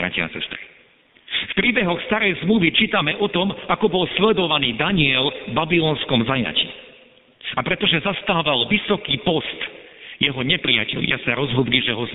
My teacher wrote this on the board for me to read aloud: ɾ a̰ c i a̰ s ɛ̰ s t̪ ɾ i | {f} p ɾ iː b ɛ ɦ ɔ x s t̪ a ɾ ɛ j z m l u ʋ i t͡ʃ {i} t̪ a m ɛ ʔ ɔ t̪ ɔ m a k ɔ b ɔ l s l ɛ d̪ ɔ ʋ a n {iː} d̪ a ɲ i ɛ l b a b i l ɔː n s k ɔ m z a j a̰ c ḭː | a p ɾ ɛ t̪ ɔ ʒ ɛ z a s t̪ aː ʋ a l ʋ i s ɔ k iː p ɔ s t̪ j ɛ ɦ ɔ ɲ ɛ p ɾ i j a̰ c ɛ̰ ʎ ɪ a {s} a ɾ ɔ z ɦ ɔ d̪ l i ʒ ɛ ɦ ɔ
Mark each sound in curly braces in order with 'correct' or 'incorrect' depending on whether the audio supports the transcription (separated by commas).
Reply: correct, incorrect, correct, correct